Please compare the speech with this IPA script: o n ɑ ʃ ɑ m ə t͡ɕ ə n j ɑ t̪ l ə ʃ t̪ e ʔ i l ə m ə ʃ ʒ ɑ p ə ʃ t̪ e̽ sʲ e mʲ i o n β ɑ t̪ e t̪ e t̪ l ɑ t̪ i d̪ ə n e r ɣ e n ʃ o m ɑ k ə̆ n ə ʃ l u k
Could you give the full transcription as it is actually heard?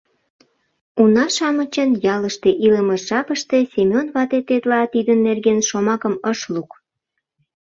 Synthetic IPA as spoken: u n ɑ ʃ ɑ m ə t͡ɕ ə n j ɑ l ə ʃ t̪ e ʔ i l ə m ə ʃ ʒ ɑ p ə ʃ t̪ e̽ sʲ e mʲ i o n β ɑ t̪ e t̪ e t̪ l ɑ t̪ i d̪ ə nː e r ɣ e n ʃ o m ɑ k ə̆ m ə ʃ l u k